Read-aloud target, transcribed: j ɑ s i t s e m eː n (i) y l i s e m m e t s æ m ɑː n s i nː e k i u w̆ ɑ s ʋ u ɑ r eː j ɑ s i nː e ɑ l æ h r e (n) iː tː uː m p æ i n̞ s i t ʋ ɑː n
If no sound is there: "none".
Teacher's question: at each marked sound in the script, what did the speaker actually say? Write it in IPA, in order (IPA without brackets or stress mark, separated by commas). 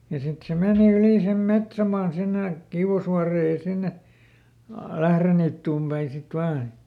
i, n